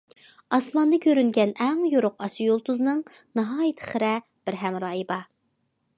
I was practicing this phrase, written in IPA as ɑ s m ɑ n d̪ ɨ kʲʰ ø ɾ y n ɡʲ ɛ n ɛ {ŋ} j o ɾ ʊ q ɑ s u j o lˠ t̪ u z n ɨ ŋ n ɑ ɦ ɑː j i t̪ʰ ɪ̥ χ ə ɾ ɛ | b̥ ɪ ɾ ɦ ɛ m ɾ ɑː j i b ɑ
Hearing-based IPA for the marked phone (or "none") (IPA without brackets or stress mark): ŋ